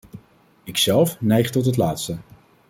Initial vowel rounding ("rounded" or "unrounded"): unrounded